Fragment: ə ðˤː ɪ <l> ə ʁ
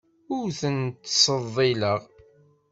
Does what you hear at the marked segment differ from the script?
no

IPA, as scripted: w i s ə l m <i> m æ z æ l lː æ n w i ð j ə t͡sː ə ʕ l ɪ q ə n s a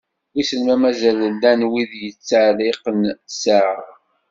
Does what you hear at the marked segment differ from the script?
yes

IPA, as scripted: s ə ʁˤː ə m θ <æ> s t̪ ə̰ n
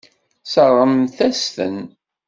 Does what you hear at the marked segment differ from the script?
no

